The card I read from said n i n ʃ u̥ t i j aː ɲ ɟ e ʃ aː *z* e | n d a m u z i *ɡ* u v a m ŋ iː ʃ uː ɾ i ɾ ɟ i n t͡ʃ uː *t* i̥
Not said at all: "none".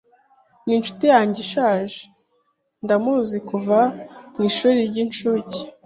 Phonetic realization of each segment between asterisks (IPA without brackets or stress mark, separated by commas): ʒ, k, c